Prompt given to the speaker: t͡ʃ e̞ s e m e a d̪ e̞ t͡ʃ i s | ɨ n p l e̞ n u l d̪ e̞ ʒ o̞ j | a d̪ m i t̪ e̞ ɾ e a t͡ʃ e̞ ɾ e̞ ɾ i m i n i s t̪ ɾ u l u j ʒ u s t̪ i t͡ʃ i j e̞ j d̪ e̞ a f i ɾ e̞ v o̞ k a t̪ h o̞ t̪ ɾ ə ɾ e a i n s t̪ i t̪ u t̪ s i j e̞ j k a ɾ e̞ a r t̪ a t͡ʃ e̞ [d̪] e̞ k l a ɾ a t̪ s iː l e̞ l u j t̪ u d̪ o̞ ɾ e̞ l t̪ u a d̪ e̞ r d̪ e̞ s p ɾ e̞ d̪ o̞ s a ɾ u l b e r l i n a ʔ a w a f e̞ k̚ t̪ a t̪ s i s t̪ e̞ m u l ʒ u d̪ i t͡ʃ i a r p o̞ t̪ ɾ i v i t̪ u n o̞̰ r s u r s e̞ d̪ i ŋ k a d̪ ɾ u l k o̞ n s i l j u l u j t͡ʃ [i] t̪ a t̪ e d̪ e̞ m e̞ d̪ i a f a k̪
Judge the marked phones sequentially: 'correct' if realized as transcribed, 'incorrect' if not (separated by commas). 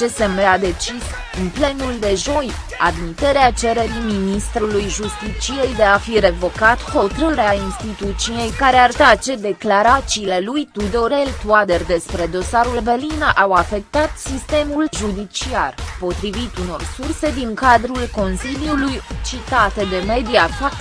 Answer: correct, correct